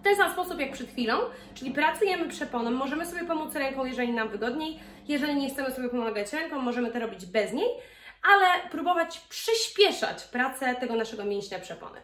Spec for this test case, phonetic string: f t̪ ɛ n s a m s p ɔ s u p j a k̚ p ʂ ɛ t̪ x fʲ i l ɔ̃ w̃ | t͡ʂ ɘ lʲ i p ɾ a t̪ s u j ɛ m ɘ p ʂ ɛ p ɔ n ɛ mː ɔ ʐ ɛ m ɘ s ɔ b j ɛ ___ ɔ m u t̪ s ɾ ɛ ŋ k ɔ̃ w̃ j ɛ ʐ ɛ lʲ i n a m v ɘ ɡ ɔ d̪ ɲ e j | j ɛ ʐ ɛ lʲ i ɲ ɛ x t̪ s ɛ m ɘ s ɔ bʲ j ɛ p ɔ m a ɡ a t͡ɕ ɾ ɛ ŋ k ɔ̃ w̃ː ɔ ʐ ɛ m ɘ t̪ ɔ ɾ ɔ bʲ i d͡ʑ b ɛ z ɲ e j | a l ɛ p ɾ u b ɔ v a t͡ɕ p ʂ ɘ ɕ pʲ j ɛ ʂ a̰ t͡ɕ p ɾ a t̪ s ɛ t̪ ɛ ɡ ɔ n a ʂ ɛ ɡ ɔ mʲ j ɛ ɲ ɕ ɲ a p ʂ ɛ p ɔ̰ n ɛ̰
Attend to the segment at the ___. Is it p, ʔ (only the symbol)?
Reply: p